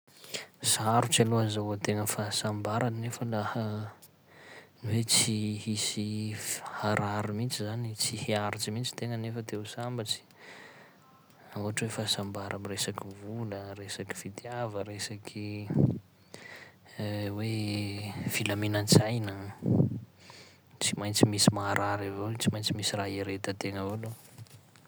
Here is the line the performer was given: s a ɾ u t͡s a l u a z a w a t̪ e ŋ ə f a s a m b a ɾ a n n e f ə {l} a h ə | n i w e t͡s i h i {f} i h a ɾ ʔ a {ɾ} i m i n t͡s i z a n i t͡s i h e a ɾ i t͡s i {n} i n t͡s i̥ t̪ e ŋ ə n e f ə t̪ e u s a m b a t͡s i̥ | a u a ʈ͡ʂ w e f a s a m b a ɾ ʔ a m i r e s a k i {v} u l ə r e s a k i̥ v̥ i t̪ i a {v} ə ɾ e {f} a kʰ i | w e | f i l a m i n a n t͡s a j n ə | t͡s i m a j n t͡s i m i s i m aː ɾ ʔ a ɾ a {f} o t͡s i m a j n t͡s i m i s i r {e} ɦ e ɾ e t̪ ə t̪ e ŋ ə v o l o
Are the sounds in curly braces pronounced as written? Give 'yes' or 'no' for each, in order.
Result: yes, no, yes, no, yes, yes, no, no, no

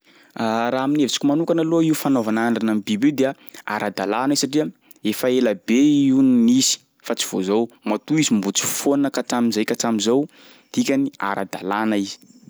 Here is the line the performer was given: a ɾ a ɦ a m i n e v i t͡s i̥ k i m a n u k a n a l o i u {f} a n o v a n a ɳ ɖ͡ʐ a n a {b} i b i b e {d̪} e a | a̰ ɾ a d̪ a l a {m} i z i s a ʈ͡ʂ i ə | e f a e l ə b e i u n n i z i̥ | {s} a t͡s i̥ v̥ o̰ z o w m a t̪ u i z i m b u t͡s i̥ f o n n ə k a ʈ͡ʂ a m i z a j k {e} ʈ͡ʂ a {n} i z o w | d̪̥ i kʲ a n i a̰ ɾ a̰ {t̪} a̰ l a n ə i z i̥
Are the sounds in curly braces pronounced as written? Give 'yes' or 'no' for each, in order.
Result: yes, no, yes, no, no, no, no, no

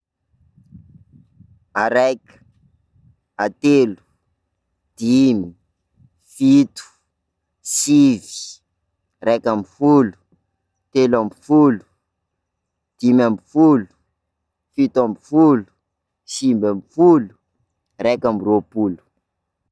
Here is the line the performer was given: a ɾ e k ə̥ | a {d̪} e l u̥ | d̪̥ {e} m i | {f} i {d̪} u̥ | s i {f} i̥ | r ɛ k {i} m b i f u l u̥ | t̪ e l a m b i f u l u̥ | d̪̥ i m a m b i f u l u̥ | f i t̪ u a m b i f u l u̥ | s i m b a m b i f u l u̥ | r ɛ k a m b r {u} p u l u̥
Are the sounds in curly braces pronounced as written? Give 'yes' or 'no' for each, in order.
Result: no, no, yes, no, no, no, no

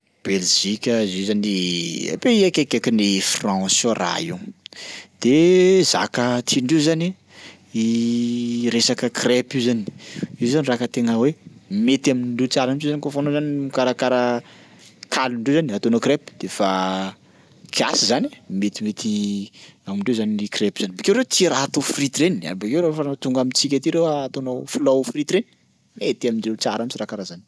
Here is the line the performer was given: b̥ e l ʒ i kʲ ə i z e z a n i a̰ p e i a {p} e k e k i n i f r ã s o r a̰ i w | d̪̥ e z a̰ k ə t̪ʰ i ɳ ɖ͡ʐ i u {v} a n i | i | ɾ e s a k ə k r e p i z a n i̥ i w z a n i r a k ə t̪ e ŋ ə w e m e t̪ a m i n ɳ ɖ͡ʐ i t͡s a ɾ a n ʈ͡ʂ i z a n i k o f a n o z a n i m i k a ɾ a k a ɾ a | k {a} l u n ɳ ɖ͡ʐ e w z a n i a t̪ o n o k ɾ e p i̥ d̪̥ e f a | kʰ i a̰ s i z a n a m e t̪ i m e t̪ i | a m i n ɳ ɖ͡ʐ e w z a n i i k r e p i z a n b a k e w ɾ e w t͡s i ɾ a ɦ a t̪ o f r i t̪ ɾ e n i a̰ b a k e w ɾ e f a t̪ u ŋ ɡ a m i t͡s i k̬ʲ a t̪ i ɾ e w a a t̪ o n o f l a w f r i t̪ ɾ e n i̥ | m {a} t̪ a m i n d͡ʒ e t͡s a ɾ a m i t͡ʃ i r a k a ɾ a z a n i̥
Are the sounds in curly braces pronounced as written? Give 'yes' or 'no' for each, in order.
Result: no, no, yes, no

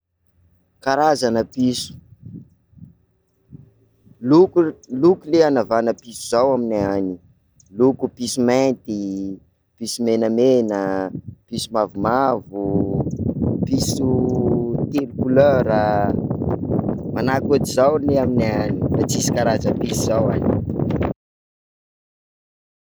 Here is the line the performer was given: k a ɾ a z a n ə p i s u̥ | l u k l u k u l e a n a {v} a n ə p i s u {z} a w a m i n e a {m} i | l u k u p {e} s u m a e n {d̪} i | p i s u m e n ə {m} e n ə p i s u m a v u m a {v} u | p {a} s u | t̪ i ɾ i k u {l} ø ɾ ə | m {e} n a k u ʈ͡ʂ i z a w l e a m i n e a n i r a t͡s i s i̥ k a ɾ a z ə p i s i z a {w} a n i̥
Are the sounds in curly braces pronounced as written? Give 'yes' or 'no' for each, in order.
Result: yes, yes, no, no, no, yes, yes, no, yes, no, yes

